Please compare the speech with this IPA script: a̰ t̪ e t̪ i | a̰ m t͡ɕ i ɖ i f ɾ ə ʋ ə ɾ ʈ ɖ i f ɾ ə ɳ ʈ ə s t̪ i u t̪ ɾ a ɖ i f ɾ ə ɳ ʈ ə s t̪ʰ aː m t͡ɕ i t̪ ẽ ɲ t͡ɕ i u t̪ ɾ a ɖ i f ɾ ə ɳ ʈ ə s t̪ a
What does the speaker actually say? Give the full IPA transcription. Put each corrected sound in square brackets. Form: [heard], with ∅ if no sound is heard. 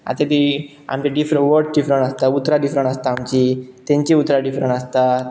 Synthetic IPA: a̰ t̪ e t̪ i | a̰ m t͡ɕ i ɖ i f ɾ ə ʋ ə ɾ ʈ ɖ i f ɾ ə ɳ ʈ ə s t̪ [a] u t̪ ɾ a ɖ i f ɾ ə ɳ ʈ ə s [t̪] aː m t͡ɕ i t̪ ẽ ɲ t͡ɕ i u t̪ ɾ a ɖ i f ɾ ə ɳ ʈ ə s t̪ a